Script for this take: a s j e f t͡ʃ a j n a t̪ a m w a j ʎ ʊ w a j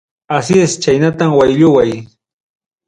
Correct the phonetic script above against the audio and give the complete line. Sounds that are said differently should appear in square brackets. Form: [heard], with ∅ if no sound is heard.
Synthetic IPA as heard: a s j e [s] t͡ʃ a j n a t̪ a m w a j ʎ ʊ w a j